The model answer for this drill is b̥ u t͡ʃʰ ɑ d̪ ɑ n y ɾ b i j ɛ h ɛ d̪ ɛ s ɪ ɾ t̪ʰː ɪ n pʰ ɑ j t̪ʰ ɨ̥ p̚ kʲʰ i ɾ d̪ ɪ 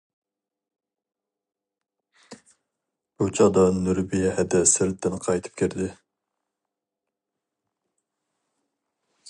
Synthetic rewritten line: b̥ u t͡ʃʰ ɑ d̪ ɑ n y ɾ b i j ɛ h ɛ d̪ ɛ s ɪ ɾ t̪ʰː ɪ n qʰ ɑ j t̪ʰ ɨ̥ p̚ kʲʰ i ɾ d̪ ɪ